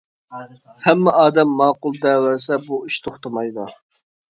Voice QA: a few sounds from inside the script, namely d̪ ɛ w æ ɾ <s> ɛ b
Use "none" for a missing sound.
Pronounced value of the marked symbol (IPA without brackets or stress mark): s